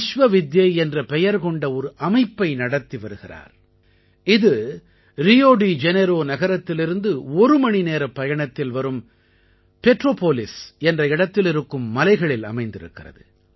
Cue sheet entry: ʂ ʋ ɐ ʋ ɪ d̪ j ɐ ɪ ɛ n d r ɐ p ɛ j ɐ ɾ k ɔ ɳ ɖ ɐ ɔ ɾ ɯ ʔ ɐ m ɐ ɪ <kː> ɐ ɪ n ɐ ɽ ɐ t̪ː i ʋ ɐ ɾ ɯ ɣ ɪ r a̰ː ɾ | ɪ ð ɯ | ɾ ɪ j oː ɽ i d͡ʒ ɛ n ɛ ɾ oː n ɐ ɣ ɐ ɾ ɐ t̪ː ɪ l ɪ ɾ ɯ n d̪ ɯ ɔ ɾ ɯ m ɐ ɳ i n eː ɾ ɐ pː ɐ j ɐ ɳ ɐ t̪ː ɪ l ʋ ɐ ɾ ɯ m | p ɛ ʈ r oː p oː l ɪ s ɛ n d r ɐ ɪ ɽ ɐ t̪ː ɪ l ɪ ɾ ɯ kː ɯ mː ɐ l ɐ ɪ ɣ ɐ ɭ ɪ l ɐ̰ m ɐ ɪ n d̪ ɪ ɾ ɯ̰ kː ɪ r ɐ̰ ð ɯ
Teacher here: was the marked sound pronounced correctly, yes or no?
no